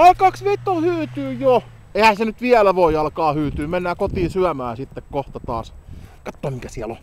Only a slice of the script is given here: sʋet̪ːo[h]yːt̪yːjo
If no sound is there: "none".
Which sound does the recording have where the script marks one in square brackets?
h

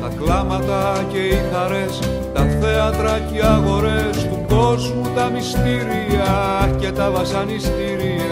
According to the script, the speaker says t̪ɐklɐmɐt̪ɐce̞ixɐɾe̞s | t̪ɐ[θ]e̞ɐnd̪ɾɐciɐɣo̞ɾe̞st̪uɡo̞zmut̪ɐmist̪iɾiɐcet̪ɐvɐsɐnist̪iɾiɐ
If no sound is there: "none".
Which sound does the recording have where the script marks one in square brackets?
θ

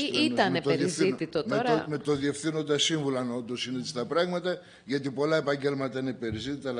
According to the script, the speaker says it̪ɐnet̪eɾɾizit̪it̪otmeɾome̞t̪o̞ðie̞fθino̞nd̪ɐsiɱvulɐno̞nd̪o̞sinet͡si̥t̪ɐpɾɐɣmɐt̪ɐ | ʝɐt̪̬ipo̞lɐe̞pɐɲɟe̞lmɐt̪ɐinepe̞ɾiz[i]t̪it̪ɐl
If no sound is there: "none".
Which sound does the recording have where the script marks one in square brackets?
i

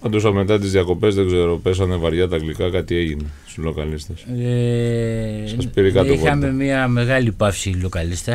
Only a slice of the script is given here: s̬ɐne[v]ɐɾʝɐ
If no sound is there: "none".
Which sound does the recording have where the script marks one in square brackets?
v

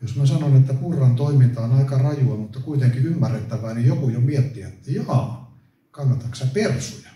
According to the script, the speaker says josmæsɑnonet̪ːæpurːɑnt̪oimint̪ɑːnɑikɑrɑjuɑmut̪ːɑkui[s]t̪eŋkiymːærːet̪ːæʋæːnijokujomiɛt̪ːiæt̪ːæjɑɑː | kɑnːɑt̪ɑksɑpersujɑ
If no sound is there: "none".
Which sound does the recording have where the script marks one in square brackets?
none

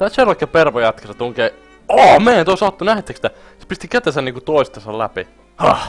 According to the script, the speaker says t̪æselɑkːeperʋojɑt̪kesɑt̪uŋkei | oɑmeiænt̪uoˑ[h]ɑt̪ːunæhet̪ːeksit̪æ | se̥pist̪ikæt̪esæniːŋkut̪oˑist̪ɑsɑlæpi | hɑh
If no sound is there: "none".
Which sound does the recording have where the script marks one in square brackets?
s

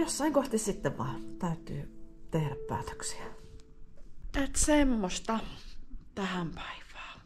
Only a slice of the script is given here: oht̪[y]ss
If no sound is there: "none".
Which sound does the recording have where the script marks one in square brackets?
i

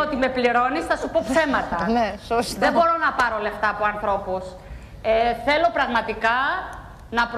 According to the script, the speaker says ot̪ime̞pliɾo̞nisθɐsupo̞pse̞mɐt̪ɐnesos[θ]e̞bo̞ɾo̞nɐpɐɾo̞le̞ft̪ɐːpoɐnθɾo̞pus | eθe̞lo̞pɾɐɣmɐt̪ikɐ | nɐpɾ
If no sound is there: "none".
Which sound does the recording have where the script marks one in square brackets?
ð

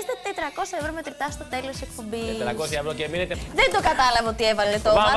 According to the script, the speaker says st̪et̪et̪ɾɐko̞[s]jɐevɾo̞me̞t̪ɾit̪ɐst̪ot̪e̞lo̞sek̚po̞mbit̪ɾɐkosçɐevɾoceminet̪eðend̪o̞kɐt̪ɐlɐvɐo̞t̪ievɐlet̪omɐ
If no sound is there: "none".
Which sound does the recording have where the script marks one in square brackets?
s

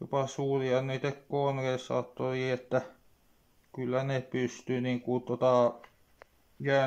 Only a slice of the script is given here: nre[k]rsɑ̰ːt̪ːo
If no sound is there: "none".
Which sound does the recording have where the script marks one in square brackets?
none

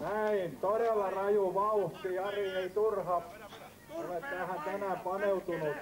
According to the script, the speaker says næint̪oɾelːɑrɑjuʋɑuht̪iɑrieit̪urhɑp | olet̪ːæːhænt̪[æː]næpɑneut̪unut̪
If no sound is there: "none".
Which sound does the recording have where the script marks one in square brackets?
æ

